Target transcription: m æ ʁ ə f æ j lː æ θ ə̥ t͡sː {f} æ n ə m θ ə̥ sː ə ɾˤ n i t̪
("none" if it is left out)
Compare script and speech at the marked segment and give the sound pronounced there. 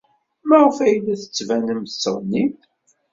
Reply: v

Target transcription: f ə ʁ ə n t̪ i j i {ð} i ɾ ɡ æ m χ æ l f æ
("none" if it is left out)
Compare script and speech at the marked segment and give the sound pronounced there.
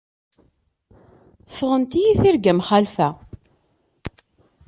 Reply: θ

